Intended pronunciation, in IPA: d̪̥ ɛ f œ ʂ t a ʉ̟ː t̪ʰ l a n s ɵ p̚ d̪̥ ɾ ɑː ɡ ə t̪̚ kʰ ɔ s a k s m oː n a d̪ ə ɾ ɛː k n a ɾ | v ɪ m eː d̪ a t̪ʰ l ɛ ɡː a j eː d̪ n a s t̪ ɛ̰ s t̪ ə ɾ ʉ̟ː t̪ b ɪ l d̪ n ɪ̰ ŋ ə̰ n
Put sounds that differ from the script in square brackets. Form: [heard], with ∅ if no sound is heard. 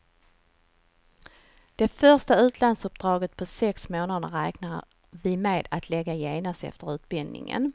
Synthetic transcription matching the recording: d̪̥ ɛ f œ ʂ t a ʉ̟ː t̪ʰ l a n s ɵ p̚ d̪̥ ɾ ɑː ɡ ə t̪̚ [pʰ] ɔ s [ɛ] k s m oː n a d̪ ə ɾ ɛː k n a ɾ | v ɪ m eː d̪ a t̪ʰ l ɛ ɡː a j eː [∅] n a s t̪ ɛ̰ [f] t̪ ə ɾ ʉ̟ː t̪ b ɪ l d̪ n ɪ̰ ŋ ə̰ n